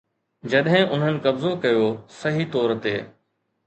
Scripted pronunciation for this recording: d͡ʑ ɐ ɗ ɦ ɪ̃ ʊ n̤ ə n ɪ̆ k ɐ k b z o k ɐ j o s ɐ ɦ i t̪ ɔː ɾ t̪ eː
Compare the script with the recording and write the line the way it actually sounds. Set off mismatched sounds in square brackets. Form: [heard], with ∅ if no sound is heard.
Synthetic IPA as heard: d͡ʑ ɐ ɗ ɦ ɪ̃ ʊ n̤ ə n ɪ̆ k ɐ [∅] b z o k ɐ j o s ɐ ɦ i t̪ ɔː ɾ t̪ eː